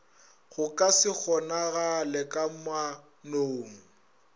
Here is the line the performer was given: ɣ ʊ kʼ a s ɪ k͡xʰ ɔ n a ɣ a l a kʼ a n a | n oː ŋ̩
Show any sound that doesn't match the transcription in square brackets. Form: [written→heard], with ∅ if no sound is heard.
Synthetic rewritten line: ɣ ʊ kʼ a s ɪ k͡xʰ ɔ n a ɣ a l [a→ɛ] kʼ a [n→m] a | n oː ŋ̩

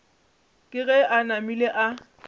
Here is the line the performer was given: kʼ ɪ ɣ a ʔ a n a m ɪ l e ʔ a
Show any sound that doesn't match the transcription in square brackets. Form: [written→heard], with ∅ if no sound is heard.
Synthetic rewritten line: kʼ ɪ ɣ [a→ɛ] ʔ a n a m [ɪ→i] l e ʔ a

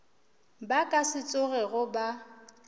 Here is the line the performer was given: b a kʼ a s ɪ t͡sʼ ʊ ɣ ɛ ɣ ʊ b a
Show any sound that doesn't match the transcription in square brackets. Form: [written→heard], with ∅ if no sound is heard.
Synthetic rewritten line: b a kʼ a s ɪ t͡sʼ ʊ ɣ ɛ ɣ ʊ b a

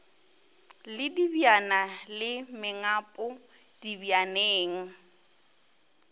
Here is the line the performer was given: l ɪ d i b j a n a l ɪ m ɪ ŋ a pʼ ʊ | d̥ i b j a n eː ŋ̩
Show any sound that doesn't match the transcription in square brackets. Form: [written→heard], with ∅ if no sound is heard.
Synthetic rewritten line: l ɪ d i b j a n a l ɪ m ɪ ŋ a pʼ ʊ | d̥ i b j a n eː ŋ̩

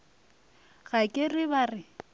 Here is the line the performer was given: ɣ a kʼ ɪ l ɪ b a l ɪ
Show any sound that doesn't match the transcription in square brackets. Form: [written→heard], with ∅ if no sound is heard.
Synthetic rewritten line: ɣ a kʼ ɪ [l→r] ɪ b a [l→r] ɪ

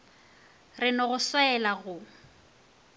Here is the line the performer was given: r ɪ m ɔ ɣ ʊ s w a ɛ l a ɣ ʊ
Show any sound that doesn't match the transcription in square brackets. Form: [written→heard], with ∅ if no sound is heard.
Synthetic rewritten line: r ɪ [m→n] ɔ ɣ ʊ s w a ɛ l a ɣ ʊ

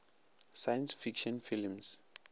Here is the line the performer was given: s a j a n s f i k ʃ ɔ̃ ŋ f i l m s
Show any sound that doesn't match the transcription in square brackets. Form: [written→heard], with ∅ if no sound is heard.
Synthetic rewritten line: s a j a n s f i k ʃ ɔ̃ [ŋ→n] f i l m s

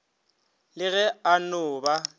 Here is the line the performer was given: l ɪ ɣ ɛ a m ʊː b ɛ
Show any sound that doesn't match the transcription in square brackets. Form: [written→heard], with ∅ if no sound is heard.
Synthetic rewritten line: l ɪ ɣ ɛ a [m→n] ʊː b [ɛ→a]

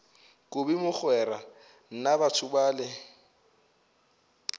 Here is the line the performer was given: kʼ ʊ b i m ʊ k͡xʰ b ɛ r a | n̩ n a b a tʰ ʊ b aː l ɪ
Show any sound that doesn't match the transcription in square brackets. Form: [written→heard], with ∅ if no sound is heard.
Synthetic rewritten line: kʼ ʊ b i m ʊ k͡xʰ [b→w] ɛ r a | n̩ n a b a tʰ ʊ b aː l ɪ

